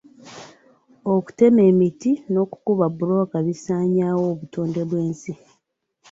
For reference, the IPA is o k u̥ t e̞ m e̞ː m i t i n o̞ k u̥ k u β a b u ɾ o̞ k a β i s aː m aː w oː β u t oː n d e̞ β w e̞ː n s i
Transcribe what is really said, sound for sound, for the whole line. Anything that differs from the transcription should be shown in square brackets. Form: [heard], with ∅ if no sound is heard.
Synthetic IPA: o k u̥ t e̞ m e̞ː m i t i n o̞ k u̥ k u β a b u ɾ o̞ k a β i s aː [ɲ] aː w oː β u t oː n d e̞ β w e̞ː n s i